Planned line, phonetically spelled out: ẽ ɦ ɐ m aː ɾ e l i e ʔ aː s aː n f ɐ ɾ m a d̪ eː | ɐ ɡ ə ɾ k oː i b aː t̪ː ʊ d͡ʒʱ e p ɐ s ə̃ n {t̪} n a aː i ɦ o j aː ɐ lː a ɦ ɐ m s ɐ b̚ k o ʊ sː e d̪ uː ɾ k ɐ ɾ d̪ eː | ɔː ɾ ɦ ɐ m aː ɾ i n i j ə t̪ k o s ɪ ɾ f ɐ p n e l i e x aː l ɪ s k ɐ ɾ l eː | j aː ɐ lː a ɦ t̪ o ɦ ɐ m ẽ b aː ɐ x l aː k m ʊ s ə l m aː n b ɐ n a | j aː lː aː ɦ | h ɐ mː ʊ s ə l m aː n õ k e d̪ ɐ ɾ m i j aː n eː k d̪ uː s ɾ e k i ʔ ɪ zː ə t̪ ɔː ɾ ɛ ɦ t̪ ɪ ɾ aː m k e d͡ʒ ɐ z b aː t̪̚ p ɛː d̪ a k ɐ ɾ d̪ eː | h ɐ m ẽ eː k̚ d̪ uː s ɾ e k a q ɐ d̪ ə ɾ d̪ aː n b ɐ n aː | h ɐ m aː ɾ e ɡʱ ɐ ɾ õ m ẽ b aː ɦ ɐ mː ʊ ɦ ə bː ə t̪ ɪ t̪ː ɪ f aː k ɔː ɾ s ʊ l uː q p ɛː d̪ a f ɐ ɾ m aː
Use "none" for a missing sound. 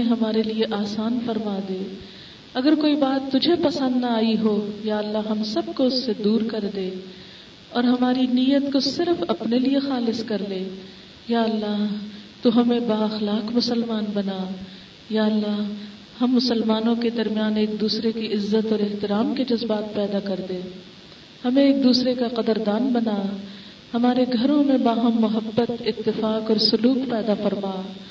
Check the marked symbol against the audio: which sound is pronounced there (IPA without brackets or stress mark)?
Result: d̪